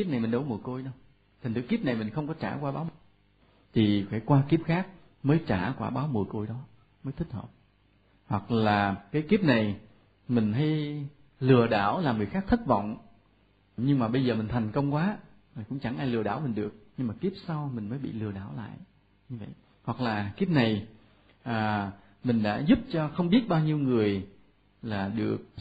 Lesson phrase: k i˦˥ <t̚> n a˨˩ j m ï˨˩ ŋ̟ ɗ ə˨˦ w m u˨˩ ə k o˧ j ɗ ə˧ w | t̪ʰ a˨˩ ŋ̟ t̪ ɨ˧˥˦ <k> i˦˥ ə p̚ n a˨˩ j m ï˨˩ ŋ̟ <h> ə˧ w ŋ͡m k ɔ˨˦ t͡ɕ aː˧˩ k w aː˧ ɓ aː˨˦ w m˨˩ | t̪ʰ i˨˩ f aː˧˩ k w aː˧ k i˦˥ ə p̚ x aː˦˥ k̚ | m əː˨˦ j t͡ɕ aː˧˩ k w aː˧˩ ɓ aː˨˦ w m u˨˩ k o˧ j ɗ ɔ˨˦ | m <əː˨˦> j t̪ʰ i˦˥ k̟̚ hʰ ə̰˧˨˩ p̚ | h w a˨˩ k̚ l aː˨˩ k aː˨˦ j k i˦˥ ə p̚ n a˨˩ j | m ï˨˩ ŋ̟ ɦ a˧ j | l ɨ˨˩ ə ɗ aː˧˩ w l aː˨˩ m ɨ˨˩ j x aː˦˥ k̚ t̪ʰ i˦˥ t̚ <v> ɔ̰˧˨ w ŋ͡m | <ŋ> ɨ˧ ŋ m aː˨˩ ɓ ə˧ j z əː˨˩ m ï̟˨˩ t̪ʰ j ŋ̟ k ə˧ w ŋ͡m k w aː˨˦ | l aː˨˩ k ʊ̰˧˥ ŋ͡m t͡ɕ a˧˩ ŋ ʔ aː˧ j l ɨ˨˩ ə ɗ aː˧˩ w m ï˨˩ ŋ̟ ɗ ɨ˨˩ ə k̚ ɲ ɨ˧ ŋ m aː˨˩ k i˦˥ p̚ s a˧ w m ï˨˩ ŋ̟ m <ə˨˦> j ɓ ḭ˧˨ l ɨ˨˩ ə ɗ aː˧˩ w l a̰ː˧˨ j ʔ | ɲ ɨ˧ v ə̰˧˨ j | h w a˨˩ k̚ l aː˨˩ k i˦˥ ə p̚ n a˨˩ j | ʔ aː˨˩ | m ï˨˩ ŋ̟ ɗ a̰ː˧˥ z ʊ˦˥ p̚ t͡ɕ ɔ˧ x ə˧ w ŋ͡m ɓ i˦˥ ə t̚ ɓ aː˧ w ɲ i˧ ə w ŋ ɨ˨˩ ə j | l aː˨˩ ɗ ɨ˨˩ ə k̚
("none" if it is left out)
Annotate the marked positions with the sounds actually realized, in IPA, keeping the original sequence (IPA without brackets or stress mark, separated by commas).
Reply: p̚, k, x, əː˨˦, v, ɲ, əː˨˦